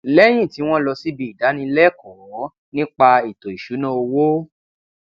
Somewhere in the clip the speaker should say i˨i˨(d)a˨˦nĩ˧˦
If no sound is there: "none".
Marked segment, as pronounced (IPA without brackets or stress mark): d